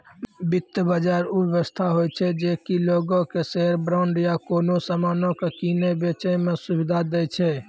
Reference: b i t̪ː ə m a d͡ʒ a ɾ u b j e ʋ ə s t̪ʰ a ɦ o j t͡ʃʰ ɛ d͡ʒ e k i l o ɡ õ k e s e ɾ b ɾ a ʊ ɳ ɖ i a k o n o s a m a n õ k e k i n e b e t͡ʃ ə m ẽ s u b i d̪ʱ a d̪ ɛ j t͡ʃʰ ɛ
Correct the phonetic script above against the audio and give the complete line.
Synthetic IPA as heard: b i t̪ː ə b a d͡ʒ a ɾ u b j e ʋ ə s t̪ʰ a ɦ o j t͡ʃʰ ɛ d͡ʒ e k i l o ɡ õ k e s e ɾ b ɾ a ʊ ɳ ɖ j a k o n o s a m a n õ k e k i n e b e t͡ʃ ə m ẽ s u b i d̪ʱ a d̪ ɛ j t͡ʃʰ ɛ